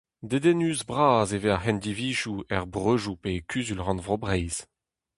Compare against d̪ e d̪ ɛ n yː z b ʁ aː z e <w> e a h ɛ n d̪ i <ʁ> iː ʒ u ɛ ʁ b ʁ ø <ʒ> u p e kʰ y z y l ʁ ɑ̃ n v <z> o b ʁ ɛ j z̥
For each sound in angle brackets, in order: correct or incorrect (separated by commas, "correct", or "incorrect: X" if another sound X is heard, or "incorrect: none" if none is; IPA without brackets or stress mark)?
incorrect: v, incorrect: v, correct, incorrect: ʁ